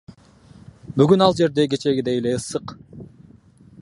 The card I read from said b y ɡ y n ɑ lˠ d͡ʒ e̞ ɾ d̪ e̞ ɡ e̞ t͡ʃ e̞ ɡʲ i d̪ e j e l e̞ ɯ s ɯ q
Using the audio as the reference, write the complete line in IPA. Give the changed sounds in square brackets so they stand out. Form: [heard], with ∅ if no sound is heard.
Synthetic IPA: b y ɡ y n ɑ lˠ d͡ʒ e̞ ɾ d̪ e̞ ɡ e̞ t͡ʃ e̞ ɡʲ i d̪ e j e l e̞ ɯ s ɯ q

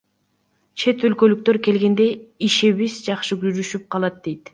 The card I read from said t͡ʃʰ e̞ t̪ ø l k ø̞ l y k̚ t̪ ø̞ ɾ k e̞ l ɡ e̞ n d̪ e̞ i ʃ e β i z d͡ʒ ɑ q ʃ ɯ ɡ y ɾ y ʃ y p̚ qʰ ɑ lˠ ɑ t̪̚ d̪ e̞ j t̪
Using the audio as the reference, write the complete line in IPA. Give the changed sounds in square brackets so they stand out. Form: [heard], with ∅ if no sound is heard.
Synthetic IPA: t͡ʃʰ e̞ t̪ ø l k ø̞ l y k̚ t̪ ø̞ ɾ k e̞ l ɡ e̞ n d̪ e̞ i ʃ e β i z d͡ʒ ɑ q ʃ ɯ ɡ y ɾ y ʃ y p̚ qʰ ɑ lˠ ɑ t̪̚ d̪ e̞ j t̪

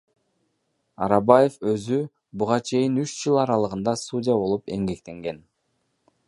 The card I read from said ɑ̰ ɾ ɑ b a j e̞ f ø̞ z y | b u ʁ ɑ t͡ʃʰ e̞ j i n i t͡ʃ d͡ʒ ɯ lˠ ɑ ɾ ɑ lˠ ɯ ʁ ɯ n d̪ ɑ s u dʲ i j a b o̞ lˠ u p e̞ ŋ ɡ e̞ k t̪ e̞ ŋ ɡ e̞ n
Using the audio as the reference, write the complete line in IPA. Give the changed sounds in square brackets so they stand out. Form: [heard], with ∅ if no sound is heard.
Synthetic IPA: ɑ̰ ɾ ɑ b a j e̞ f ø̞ z y | b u ʁ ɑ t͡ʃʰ e̞ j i n [y] t͡ʃ d͡ʒ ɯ lˠ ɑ ɾ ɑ lˠ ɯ ʁ ɯ n d̪ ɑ s u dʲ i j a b o̞ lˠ u p e̞ ŋ ɡ e̞ k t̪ e̞ ŋ ɡ e̞ n

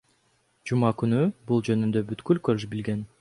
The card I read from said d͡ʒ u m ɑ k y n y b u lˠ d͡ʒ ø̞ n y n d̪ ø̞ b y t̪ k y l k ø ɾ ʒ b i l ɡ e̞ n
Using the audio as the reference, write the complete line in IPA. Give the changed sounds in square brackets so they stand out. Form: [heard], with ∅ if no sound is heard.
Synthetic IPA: d͡ʒ u m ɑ k y n y b u lˠ d͡ʒ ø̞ n y n d̪ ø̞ b y t̪ k y l k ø ɾ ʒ b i l ɡ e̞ n

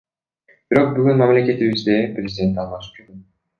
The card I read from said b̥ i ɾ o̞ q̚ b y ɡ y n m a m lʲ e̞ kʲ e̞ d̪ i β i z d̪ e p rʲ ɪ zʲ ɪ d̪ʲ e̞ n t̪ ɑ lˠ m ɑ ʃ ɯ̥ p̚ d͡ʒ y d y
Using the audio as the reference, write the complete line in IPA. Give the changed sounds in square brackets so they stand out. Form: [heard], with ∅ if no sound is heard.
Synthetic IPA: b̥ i ɾ o̞ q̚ b y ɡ y n m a m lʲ e̞ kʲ e̞ [t̪] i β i z d̪ e p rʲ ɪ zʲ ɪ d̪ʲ e̞ n t̪ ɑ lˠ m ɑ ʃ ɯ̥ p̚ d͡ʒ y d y

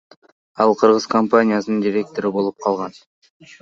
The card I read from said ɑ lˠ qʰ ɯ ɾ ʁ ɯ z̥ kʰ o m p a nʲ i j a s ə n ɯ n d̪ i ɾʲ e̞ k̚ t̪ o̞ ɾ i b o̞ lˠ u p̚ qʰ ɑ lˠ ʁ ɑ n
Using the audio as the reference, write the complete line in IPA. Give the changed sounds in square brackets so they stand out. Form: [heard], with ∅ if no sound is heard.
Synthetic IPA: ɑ lˠ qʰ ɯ ɾ ʁ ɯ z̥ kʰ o m p a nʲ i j a s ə n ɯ n d̪ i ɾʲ e̞ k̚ t̪ o̞ ɾ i b o̞ lˠ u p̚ qʰ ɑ lˠ ʁ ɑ n

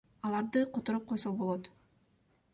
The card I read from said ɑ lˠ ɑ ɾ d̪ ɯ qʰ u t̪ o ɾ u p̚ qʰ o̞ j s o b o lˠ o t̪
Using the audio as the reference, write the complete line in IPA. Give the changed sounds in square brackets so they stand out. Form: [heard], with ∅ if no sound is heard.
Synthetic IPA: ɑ lˠ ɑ ɾ d̪ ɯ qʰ [o] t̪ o ɾ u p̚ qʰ o̞ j s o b o lˠ o t̪

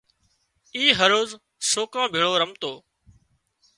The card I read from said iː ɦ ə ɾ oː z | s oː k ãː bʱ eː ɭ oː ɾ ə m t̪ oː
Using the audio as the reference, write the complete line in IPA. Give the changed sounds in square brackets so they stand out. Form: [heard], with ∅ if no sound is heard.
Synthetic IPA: iː ɦ ə ɾ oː z | s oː k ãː bʱ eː ɭ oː ɾ ə m t̪ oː

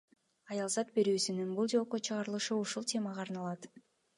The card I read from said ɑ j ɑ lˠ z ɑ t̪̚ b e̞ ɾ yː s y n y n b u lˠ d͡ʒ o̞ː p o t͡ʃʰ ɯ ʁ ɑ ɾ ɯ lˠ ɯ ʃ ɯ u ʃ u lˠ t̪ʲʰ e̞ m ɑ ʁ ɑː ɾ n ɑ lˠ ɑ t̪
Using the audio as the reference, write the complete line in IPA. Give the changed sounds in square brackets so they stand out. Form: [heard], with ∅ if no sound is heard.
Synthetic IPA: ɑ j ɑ lˠ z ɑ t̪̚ b e̞ ɾ yː s y n y n b u lˠ d͡ʒ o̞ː [q] o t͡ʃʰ ɯ ʁ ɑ ɾ ɯ lˠ ɯ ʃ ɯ u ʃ u lˠ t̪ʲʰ e̞ m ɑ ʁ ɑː ɾ n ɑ lˠ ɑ t̪

